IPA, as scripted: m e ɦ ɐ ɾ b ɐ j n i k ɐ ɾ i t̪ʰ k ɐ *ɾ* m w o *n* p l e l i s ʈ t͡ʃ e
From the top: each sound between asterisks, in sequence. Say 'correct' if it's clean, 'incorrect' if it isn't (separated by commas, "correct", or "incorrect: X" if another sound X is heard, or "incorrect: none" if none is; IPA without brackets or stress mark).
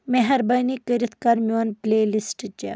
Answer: correct, correct